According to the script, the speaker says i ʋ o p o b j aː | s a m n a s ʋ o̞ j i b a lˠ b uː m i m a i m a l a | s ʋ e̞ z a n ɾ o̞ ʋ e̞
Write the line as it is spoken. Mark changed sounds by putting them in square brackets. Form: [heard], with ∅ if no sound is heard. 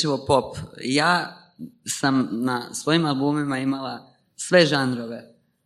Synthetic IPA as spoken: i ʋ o p o [p] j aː | s a m n a s ʋ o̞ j i [m] a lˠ b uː m i m a i m a l a | s ʋ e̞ [ʒ] a n ɾ o̞ ʋ e̞